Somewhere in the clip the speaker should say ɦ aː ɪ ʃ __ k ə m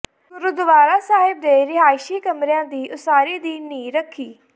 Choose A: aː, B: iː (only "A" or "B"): B